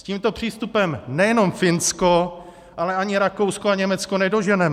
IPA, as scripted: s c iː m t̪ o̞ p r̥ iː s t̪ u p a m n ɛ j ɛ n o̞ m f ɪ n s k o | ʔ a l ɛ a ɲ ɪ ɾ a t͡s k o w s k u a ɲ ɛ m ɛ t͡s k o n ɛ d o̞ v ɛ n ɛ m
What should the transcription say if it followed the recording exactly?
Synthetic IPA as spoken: s c iː m t̪ o̞ p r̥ iː s t̪ u p ɛ m n ɛ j ɛ n o̞ m f ɪ n s k o | ʔ a l ɛ a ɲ ɪ ɾ a k o w s k o a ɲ ɛ m ɛ t͡s k o n ɛ d o̞ ʒ ɛ n ɛ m